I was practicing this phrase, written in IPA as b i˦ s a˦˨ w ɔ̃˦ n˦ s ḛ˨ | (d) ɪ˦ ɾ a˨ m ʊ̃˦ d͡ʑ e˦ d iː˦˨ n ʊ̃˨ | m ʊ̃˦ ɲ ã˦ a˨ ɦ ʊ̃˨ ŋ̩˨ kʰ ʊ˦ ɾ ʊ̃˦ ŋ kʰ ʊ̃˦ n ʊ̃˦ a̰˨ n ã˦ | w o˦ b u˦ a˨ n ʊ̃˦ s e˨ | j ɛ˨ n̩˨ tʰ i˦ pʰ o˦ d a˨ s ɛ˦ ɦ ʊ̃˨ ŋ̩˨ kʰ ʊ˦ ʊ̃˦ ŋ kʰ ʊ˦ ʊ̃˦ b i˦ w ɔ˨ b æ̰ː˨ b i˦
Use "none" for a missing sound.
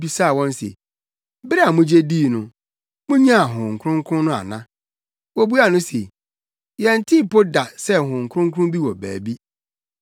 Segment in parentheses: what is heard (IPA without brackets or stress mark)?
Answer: b